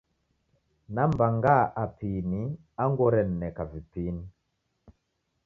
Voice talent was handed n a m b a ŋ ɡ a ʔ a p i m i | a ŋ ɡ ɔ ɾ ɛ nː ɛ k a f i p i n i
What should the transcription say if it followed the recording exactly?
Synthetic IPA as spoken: n a m b a ŋ ɡ a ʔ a p i n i | a ŋ ɡ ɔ ɾ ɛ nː ɛ k a v i p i n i